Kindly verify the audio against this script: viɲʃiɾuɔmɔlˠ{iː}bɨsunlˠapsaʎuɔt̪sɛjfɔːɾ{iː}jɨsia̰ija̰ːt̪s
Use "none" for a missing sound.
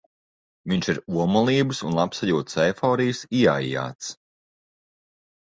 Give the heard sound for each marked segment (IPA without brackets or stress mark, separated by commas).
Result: iː, i